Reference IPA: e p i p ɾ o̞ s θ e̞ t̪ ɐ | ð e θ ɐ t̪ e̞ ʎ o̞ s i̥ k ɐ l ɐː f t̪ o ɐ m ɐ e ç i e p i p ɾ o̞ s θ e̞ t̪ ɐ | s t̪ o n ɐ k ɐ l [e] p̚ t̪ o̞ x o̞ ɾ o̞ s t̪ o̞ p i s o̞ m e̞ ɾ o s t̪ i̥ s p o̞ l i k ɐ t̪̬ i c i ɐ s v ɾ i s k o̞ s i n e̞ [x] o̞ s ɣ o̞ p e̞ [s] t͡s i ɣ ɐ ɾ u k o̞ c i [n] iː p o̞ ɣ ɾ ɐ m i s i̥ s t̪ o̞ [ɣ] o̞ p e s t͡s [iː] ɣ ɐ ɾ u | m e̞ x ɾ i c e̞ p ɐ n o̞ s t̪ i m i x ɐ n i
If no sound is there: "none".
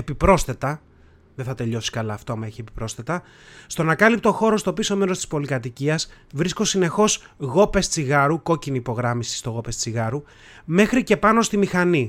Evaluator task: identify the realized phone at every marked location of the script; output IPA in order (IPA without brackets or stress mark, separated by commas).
i, x, s, n, ɣ, i